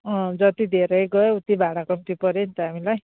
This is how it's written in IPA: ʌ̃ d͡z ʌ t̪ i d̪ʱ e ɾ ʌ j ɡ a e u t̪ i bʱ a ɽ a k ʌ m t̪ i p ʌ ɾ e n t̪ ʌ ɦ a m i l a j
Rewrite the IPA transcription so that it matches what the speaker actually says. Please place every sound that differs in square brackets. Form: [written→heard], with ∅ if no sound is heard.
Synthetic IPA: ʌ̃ d͡z ʌ t̪ i d̪ʱ e ɾ ʌ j ɡ [a→ʌ] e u t̪ i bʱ a ɽ a k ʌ m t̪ i p ʌ ɾ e n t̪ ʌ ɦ a m i l a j